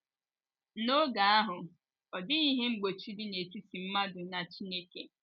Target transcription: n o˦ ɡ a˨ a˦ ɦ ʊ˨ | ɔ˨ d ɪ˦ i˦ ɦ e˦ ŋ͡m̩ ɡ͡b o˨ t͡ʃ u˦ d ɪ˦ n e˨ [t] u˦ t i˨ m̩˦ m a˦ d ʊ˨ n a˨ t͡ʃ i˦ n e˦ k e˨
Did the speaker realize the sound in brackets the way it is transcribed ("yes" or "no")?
yes